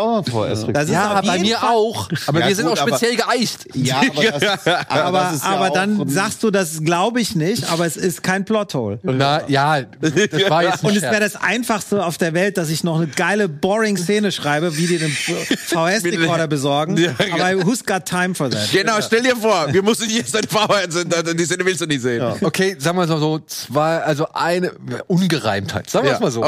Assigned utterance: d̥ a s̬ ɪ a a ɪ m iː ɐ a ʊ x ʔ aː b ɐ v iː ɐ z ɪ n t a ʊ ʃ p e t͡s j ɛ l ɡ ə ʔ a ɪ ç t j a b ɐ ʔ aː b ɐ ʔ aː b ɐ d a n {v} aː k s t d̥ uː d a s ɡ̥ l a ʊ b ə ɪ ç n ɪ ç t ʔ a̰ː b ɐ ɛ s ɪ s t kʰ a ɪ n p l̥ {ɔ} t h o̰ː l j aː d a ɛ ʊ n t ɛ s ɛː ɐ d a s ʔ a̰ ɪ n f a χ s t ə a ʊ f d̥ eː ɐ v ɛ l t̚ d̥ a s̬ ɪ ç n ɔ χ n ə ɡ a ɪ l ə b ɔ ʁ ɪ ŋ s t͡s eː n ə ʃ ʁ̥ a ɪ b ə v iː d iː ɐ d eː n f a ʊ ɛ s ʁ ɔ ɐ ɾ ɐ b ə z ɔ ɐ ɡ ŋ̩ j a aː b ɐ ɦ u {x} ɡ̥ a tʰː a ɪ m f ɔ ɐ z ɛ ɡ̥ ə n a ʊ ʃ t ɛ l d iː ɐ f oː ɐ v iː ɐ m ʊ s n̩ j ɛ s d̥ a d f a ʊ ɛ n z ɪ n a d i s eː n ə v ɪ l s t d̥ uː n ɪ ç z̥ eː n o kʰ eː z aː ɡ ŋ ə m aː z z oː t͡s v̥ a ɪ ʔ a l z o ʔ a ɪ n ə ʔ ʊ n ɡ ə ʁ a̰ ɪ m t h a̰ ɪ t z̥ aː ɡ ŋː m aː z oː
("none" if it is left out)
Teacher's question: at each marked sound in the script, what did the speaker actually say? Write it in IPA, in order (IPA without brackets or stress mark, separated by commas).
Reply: z, ɔ, s